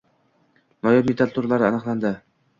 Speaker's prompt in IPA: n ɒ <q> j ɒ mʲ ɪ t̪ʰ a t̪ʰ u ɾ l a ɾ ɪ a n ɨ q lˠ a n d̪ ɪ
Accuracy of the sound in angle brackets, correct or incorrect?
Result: incorrect